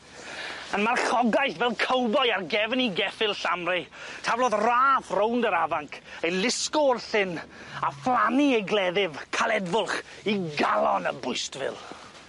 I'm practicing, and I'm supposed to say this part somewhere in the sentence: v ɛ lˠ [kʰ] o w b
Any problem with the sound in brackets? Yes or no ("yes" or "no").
no